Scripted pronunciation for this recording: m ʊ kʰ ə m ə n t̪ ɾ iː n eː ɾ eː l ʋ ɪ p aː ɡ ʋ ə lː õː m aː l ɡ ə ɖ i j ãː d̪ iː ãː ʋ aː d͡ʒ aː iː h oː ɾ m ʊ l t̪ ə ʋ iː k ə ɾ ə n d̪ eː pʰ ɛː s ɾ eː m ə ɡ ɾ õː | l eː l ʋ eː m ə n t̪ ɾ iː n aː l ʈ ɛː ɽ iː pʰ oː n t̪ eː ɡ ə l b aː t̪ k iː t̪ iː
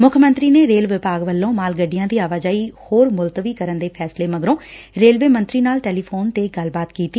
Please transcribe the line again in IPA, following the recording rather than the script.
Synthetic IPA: m ʊ kʰ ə m ə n t̪ ɾ iː n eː ɾ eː l ʋ ɪ p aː ɡ ʋ ə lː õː m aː l ɡ ə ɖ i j ãː d̪ iː aː ʋ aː d͡ʒ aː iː h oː ɾ m ʊ l t̪ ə ʋ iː k ə ɾ ə n d̪ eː pʰ ɛː s l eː m ə ɡ ɾ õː | ɾ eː l ʋ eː m ə n t̪ ɾ iː n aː l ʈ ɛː l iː pʰ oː n t̪ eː ɡ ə l b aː t̪ k iː t̪ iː